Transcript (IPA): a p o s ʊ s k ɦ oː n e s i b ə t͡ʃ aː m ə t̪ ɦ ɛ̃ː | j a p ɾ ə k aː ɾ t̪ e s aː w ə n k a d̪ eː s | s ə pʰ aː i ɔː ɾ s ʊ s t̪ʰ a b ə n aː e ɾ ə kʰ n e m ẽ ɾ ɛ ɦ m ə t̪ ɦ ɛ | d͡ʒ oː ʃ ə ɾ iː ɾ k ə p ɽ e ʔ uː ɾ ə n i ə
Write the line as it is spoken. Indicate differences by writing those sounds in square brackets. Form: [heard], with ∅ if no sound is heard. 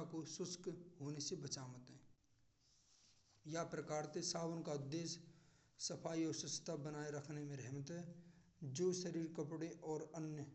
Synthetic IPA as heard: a [k] o s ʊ s k ɦ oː n e s [e] b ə t͡ʃ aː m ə t̪ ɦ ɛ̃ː | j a p ɾ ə k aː ɾ t̪ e s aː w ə n k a d̪ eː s | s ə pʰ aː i ɔː ɾ s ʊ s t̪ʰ a b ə n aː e ɾ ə kʰ n e m ẽ ɾ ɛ ɦ m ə t̪ ɦ ɛ | d͡ʒ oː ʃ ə ɾ iː ɾ k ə p ɽ e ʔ [ɔː] ɾ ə n [j] ə